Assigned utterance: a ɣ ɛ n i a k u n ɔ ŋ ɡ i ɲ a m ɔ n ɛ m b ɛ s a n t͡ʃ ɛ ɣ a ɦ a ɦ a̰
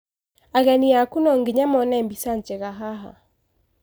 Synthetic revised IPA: a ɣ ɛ n i a k u n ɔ ŋ ɡ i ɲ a m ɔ n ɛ m b i s a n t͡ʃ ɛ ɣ a ɦ a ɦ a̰